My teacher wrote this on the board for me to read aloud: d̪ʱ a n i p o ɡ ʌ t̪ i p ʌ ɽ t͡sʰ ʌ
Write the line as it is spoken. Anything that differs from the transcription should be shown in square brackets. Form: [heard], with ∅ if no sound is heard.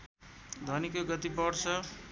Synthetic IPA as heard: d̪ʱ [ʌ] n i [k] o ɡ ʌ t̪ i p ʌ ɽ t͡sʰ ʌ